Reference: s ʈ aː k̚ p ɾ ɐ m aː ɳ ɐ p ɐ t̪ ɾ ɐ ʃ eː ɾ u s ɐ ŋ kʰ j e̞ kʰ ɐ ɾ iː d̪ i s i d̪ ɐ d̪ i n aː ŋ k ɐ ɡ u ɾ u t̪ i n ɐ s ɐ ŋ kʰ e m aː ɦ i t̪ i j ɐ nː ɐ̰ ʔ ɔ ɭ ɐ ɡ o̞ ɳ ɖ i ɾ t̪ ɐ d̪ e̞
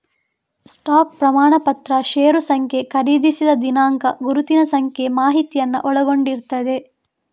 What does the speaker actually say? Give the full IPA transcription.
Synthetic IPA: s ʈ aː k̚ p ɾ ɐ m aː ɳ ɐ p ɐ t̪ ɾ ɐ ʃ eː ɾ u s ɐ ŋ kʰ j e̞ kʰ ɐ ɾ iː d̪ i s i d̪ ɐ d̪ i n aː ŋ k ɐ ɡ u ɾ u t̪ i n ɐ s ɐ ŋ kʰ e m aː ɦ i t̪ i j ɐ nː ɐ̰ ʔ ɔ ɭ ɐ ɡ o̞ ɳ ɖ i ɾ t̪ ɐ d̪ e̞